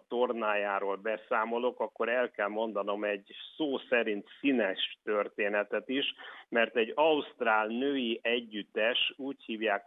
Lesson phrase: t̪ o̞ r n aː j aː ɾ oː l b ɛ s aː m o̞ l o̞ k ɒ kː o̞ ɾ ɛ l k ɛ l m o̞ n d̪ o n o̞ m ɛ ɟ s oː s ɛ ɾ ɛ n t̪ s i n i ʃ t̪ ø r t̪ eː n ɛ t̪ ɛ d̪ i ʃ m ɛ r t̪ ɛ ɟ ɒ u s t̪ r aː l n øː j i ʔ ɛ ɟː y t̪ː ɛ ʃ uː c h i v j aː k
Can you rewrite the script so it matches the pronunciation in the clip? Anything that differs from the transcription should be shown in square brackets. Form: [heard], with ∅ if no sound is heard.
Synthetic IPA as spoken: t̪ o̞ r n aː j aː ɾ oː l b ɛ s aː m o̞ l o̞ k ɒ kː o̞ ɾ ɛ l k ɛ l m o̞ n d̪ [ɒ] n o̞ m ɛ ɟ s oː s ɛ ɾ [i] n t̪ s i n [ɛ] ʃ t̪ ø r t̪ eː n ɛ t̪ ɛ [t̪] i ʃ m ɛ r t̪ ɛ ɟ ɒ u s t̪ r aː l n øː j i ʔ ɛ ɟː y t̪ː ɛ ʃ uː c h [iː] v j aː k